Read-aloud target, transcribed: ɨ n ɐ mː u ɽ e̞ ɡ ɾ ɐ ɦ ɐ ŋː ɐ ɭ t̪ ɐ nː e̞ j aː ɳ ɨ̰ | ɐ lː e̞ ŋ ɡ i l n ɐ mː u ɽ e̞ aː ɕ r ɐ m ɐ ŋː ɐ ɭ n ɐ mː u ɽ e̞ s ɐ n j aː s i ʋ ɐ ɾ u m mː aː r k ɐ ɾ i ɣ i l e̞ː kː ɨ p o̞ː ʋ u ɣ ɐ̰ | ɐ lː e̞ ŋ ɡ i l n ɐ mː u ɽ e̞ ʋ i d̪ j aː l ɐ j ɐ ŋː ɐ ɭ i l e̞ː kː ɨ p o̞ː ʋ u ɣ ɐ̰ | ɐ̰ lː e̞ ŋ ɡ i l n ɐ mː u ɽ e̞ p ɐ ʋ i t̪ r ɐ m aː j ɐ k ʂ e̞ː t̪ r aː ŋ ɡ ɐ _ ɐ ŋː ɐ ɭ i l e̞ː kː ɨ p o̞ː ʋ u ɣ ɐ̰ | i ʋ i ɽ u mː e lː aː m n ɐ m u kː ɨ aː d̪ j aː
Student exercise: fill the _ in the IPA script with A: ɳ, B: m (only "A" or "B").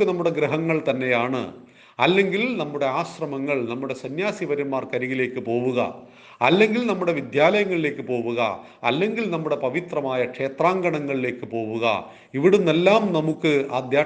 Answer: A